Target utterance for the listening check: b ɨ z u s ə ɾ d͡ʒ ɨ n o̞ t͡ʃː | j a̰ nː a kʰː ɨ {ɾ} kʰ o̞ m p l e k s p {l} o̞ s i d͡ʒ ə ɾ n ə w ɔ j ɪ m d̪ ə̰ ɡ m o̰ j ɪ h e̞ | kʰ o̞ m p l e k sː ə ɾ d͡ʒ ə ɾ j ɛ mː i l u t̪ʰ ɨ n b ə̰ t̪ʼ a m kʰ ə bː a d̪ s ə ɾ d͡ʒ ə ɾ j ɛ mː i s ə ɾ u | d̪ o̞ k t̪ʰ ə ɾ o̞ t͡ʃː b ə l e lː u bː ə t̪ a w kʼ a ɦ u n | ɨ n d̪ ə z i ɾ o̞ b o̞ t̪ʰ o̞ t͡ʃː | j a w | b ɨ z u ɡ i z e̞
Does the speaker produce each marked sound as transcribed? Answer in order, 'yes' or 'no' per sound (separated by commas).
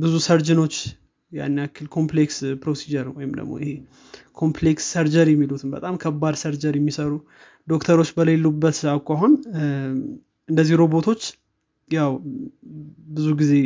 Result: no, no